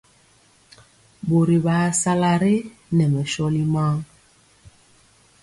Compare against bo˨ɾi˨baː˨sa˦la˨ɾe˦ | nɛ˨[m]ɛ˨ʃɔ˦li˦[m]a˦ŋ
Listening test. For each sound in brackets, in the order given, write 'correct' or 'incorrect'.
correct, correct

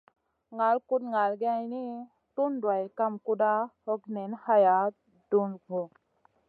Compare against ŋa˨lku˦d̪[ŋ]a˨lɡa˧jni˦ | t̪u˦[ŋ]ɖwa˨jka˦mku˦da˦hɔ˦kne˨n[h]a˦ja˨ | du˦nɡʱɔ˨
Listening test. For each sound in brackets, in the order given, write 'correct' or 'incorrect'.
correct, incorrect: n, correct

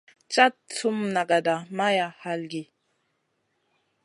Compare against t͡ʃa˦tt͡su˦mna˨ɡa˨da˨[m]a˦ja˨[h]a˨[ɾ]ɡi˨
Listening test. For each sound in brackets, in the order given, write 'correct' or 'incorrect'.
correct, correct, incorrect: l

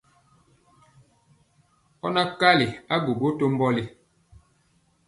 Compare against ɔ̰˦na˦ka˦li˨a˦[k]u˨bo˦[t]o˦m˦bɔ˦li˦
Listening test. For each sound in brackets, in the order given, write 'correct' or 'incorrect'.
incorrect: ɡ, correct

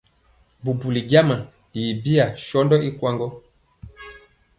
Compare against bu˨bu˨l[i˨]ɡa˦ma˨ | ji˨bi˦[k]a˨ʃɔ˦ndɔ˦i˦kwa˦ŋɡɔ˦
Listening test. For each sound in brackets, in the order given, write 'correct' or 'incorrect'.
correct, incorrect: none

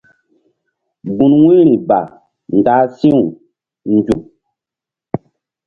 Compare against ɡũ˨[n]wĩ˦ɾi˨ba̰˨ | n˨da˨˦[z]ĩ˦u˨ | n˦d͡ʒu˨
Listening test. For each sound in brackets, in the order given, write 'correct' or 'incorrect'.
correct, incorrect: s

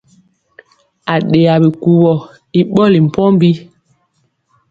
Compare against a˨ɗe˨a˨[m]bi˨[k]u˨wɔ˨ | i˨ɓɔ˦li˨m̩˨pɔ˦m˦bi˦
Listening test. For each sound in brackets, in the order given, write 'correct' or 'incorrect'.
incorrect: none, correct

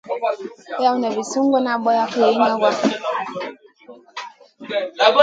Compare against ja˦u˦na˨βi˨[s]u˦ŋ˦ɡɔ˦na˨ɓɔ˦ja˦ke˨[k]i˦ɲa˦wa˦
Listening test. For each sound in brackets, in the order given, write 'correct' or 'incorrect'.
correct, incorrect: none

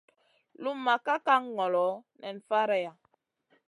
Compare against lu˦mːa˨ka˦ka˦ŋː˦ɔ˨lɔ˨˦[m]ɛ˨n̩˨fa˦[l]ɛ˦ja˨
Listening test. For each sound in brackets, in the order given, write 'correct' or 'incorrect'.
incorrect: n, incorrect: ɾ

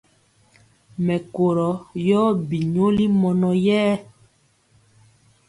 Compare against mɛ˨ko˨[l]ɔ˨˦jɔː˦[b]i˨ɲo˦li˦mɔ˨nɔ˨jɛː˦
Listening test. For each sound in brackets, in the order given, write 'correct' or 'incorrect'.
incorrect: ɾ, correct

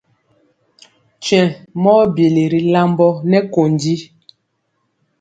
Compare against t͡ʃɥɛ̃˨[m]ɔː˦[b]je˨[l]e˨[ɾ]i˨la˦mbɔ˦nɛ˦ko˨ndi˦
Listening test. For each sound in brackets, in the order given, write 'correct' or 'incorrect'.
correct, correct, correct, correct

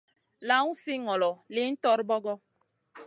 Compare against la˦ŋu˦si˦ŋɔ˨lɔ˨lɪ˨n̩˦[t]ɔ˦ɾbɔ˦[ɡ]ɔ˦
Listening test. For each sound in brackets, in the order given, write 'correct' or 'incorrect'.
correct, correct

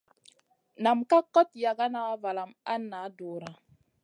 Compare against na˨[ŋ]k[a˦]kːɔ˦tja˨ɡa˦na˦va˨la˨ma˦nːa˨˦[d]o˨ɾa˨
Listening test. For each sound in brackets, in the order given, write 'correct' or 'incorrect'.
incorrect: m, correct, correct

